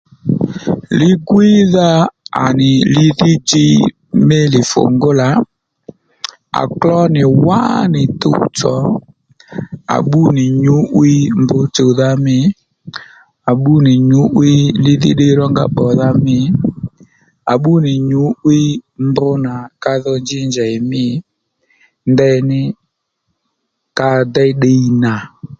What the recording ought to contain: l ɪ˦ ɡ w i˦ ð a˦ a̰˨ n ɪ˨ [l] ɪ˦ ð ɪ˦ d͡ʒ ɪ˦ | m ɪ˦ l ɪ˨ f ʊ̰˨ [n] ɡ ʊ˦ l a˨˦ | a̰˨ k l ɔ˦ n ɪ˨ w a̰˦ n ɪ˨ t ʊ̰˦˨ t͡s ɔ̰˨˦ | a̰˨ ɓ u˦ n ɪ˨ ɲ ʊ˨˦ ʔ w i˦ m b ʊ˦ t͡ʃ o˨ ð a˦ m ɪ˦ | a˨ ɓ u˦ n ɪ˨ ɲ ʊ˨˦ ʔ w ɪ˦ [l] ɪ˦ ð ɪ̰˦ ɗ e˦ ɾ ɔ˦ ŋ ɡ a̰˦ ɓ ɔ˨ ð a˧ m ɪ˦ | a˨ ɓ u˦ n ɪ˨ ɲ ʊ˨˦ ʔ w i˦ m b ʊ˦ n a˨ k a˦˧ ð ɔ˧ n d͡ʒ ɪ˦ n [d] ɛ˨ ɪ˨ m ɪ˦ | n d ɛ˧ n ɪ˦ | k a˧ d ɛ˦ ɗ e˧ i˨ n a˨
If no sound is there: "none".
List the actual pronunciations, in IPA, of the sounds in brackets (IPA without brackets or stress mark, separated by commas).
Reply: l, ŋ, l, d͡ʒ